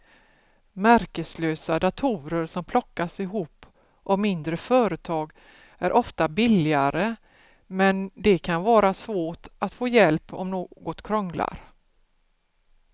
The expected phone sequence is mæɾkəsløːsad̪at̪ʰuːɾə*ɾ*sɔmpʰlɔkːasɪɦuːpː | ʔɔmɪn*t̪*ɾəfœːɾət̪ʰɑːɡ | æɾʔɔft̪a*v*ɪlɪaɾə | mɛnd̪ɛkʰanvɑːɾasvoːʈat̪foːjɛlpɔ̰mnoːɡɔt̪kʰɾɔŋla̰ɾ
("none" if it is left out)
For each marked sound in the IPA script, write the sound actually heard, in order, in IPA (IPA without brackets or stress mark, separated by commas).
ɾ, d̪, b